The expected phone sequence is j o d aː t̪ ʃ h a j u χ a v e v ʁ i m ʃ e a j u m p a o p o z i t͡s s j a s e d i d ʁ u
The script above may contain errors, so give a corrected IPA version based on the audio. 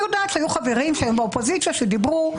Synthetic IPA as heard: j o d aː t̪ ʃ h a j u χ a v e ʁ i m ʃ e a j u m b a o p o z i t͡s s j a ʃ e d i b ʁ u